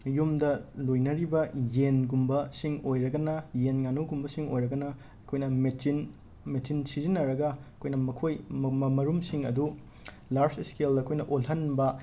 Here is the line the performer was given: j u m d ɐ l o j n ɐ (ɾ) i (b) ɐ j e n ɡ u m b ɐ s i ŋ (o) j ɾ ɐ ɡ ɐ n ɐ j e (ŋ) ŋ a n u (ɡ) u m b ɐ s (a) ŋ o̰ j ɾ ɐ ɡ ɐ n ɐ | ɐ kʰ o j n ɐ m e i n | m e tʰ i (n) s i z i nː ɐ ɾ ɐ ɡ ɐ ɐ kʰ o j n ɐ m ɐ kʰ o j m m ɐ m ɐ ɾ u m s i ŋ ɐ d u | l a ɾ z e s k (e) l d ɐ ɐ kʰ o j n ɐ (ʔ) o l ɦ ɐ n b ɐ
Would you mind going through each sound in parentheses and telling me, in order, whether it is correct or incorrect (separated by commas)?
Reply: correct, correct, correct, incorrect, correct, incorrect, correct, correct, correct